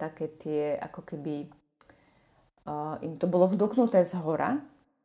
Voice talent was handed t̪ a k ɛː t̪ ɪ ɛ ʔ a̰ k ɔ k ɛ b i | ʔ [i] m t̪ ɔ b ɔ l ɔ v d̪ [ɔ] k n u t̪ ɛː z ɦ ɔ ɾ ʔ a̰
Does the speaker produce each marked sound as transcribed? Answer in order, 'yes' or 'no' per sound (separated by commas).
yes, no